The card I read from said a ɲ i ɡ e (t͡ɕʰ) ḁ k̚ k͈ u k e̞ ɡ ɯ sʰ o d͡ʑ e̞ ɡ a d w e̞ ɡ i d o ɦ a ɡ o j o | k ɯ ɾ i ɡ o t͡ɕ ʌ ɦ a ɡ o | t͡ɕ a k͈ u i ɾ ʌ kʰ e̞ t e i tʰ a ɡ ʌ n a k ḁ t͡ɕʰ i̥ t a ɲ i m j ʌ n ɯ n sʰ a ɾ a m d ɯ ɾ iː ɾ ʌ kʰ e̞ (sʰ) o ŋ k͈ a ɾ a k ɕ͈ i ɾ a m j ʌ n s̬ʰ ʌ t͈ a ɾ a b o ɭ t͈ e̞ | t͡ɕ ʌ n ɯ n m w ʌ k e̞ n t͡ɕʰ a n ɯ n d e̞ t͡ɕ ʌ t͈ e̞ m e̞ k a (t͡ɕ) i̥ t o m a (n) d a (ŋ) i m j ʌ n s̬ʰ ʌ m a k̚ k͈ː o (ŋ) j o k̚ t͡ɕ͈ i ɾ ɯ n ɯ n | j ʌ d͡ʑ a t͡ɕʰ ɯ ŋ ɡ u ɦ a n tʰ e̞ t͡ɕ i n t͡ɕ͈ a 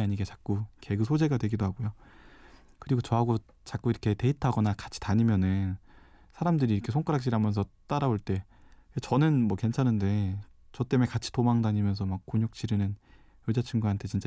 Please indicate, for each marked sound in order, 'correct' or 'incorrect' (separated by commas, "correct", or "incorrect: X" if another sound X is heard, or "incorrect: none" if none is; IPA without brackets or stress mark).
incorrect: t͡ɕ, correct, incorrect: t͡ɕʰ, incorrect: ŋ, incorrect: ɲ, incorrect: ɲ